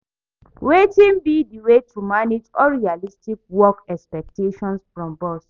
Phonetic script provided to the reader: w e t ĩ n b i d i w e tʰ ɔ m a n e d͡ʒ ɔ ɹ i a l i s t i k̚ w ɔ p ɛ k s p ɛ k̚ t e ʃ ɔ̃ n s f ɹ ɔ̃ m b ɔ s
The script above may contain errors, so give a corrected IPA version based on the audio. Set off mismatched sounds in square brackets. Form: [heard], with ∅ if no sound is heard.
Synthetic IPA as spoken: w e t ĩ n b i d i w e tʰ [u] m a n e d͡ʒ ɔ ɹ i a l i s t i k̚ w ɔ [k] ɛ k s p ɛ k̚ t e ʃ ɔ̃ n s f ɹ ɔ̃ m b ɔ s